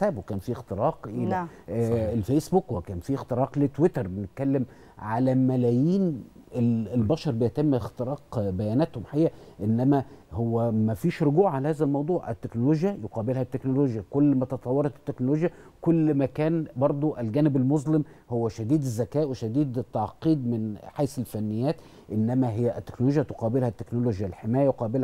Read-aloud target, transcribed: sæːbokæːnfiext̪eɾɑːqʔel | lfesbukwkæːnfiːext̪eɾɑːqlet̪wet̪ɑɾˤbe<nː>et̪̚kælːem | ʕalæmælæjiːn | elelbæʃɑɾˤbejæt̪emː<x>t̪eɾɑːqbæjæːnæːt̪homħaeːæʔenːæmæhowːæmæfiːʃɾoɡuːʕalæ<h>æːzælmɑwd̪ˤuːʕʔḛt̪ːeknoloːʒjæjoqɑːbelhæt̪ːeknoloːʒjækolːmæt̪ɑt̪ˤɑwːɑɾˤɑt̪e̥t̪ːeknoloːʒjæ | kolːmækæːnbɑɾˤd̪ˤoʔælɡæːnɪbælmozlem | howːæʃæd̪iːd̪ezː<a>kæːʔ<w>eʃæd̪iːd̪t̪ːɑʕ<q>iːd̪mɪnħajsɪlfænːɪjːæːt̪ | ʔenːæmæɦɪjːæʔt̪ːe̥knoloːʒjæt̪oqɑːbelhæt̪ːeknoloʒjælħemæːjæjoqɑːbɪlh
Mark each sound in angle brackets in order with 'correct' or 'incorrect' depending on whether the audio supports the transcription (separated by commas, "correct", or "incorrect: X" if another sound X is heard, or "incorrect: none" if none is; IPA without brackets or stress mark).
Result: incorrect: n, correct, correct, incorrect: æ, correct, correct